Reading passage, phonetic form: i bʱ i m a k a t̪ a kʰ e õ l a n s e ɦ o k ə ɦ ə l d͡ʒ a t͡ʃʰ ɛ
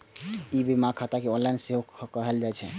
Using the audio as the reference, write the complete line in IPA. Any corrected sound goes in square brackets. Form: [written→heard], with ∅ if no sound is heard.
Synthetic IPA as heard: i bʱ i m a [k→kʰ] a t̪ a [kʰ→k] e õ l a n s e ɦ o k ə ɦ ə l d͡ʒ a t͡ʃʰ ɛ